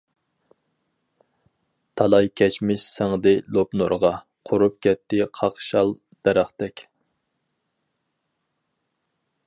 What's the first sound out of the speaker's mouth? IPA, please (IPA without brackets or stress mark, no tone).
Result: t̪ʰ